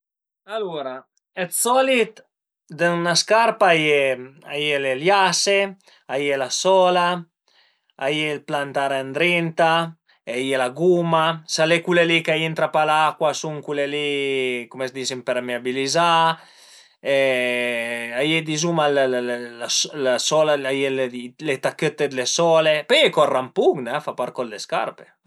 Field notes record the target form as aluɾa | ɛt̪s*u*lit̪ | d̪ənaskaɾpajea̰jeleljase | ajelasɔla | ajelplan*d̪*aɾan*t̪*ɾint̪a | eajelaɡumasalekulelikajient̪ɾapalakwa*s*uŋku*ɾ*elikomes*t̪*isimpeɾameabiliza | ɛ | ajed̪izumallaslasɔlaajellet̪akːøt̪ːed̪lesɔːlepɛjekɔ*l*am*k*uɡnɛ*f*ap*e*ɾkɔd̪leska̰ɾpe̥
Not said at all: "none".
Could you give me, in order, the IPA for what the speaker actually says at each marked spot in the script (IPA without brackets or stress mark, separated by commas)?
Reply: ɔ, t̪, d̪, s, l, d̪, r, p, f, a